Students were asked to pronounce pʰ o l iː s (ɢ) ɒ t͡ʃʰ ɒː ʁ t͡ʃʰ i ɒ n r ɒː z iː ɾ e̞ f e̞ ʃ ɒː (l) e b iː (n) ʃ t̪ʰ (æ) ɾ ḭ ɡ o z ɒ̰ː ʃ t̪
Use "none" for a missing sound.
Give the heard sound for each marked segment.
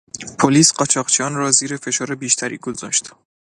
ɢ, ɾ, none, æ

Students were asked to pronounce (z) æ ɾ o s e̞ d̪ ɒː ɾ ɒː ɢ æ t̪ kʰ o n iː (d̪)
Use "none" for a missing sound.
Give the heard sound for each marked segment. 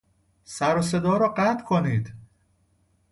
s, d̪

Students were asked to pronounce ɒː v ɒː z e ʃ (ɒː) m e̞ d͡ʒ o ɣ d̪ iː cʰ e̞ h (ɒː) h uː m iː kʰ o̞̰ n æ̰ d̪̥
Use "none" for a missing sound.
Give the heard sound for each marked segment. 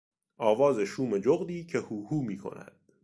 uː, uː

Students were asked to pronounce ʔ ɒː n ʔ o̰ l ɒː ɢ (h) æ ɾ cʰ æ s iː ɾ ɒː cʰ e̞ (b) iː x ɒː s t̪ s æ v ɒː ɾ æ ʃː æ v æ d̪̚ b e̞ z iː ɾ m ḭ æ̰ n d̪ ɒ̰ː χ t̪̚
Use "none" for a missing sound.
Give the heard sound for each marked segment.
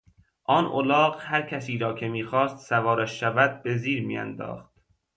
h, m

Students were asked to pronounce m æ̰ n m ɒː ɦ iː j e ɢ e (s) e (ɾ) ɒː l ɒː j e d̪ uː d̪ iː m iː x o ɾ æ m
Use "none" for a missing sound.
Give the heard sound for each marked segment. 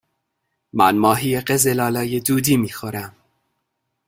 z, l

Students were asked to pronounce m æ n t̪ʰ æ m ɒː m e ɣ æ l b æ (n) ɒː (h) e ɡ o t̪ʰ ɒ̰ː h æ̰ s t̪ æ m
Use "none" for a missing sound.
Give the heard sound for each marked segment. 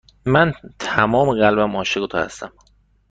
m, ʃ

